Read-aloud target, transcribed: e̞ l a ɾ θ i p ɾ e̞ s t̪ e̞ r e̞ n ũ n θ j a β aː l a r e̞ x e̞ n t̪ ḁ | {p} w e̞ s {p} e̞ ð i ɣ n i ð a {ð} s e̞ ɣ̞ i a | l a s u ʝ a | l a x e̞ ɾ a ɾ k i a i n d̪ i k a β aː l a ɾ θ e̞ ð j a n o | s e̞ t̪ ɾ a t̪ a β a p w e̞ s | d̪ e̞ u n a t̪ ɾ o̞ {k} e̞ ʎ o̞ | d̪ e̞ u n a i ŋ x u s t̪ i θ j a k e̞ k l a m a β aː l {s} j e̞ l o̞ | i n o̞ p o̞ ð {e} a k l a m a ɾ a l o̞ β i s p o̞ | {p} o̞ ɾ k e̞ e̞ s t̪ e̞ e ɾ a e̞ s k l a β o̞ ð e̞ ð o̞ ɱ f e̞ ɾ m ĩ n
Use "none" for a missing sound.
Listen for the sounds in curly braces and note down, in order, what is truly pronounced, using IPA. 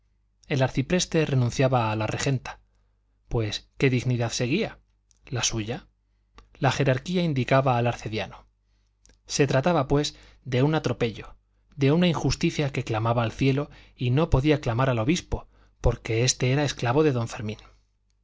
p, k, ð, p, θ, i, p

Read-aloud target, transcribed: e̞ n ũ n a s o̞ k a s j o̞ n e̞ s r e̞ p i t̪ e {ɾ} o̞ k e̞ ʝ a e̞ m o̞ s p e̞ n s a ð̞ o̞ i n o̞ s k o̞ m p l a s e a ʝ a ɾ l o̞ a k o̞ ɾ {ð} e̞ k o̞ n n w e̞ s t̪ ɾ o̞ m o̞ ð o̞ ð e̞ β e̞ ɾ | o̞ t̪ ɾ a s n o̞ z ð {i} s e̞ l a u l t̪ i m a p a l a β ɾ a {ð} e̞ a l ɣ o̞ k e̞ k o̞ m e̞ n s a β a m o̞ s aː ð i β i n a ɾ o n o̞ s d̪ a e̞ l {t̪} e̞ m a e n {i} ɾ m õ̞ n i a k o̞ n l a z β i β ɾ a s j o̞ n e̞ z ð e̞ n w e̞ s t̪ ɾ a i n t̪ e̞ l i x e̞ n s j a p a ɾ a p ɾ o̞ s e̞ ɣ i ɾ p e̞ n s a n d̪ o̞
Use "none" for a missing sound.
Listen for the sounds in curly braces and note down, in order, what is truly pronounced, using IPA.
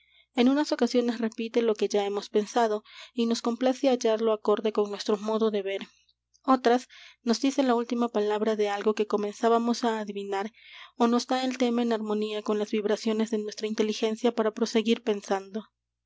l, ð, i, ð, t̪, a

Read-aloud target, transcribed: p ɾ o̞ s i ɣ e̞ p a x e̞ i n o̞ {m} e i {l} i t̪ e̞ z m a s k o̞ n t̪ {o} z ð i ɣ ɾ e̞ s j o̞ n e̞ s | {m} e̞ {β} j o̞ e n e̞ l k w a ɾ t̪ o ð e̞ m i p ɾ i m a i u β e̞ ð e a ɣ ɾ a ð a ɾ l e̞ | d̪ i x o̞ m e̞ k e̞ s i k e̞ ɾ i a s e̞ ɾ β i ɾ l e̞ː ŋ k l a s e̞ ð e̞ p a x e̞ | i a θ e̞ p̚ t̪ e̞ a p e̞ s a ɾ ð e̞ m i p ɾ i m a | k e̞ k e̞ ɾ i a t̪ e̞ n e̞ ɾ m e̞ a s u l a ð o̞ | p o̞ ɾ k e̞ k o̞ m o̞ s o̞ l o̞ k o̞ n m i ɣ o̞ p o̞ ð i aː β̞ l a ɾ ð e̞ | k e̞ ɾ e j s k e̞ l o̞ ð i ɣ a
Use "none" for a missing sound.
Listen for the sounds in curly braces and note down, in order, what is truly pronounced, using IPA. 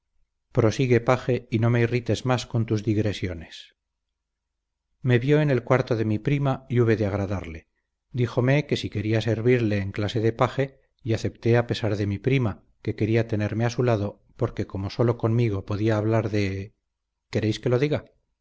m, r, u, m, β

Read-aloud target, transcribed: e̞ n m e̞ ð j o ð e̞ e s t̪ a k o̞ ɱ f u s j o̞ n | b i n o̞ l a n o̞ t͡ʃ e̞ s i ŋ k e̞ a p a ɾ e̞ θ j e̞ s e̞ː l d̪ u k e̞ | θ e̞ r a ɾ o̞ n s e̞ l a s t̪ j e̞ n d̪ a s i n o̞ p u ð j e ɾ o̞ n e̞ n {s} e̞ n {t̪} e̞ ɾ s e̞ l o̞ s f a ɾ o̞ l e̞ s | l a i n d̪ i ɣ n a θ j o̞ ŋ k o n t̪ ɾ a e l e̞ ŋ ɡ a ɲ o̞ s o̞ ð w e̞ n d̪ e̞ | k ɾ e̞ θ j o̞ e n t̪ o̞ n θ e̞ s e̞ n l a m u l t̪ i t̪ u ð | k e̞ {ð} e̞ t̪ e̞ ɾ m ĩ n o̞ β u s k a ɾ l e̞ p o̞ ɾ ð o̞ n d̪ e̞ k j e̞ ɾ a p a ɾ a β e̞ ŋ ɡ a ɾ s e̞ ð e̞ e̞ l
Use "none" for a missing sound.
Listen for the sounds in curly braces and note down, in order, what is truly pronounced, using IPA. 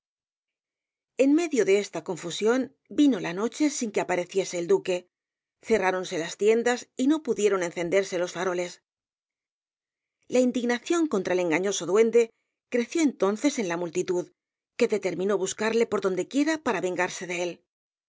θ, d̪, ð

